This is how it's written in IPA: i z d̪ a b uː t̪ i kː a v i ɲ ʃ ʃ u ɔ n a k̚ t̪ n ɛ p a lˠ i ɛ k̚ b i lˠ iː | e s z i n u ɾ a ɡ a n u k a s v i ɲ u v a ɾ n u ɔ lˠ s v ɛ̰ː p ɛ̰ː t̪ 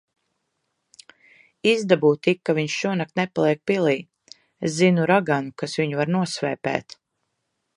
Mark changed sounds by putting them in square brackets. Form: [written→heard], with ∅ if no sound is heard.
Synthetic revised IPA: i z d̪ a b uː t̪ i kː a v i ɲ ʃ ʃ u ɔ n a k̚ t̪ n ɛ p a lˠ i ɛ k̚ [b→p] i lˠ iː | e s z i n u ɾ a ɡ a n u k a s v i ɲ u v a ɾ n u ɔ [lˠ→∅] s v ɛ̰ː p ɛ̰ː t̪